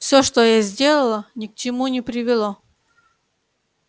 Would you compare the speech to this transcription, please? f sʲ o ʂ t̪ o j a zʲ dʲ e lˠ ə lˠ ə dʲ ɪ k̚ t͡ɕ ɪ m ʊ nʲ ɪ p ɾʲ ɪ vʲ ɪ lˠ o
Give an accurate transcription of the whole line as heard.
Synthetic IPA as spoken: f sʲ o ʂ t̪ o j a zʲ dʲ e lˠ ə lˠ ə nʲ ɪ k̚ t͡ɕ ɪ m u nʲ ɪ p ɾʲ ɪ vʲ ɪ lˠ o